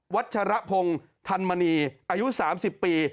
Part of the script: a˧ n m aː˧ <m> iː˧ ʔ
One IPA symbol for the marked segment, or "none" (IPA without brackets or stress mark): n